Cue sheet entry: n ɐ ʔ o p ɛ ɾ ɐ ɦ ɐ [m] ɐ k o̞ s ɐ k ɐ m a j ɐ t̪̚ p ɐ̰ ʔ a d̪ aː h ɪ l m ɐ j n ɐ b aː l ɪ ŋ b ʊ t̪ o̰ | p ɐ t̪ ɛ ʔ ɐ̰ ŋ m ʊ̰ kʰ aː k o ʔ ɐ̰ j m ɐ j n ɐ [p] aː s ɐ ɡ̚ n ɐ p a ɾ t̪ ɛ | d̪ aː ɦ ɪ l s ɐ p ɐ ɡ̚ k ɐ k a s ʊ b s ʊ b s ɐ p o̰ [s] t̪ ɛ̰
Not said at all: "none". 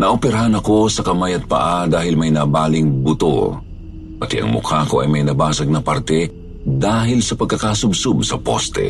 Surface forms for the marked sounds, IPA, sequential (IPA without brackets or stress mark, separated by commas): n, b, s